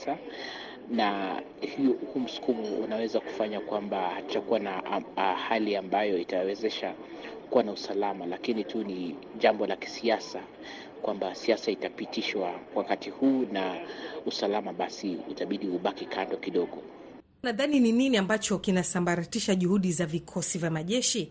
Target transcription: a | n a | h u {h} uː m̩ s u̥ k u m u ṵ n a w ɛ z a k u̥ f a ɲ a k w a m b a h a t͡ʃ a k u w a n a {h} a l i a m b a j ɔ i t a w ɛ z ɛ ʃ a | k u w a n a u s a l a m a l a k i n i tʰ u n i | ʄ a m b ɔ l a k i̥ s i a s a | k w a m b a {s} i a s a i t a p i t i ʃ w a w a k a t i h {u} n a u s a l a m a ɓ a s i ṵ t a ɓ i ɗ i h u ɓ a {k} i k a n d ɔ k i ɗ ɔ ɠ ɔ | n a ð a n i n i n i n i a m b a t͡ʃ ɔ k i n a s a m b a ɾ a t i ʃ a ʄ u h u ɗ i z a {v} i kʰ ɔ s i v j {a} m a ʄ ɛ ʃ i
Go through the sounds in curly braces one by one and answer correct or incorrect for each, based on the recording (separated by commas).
correct, correct, correct, incorrect, correct, correct, correct